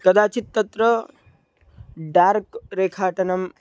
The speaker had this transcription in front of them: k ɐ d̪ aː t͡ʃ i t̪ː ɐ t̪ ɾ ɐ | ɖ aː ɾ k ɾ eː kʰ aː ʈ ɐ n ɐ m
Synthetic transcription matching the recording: k ɐ d̪ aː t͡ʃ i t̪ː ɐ t̪ ɾ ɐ | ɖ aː ɾ k ɾ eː kʰ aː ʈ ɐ n ɐ m